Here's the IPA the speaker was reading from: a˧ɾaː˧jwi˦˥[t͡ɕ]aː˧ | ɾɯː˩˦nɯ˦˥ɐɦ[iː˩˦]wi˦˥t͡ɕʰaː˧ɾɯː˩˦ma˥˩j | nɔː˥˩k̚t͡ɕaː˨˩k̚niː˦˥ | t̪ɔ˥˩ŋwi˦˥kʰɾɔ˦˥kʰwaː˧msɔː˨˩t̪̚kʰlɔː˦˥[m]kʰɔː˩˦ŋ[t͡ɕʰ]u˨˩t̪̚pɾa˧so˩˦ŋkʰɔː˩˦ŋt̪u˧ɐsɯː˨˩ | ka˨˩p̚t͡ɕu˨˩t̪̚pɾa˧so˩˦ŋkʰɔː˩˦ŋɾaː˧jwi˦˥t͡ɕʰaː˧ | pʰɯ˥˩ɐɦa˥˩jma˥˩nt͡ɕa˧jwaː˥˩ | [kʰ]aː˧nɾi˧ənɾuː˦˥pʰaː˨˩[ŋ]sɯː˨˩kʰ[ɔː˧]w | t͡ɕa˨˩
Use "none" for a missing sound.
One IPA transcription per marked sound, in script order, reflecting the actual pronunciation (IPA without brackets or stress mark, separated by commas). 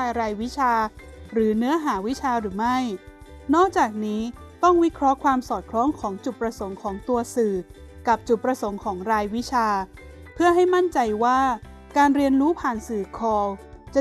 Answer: t͡ɕʰ, aː˩˦, ŋ, t͡ɕ, k, n, ɔː˧